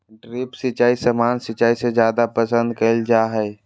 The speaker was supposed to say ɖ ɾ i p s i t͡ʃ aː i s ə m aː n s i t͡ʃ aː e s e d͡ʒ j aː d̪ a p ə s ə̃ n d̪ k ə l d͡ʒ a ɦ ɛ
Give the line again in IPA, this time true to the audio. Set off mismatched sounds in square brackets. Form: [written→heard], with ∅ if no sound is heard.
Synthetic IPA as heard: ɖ ɾ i p s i t͡ʃ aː i s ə m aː n s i t͡ʃ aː [e→i] s e d͡ʒ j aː d̪ a p ə s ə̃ n d̪ k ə l d͡ʒ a ɦ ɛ